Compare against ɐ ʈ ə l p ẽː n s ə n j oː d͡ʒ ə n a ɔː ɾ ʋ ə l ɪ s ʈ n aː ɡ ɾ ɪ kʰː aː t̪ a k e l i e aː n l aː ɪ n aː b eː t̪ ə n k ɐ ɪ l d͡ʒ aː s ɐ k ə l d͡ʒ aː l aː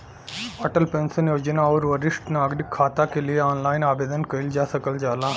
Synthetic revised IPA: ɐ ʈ ə l p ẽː n s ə n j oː d͡ʒ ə n a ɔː ɾ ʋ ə ɾ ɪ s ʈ n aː ɡ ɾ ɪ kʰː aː t̪ a k e l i e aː n l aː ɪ n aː b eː d̪ ə n k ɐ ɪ l d͡ʒ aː s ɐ k ə l d͡ʒ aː l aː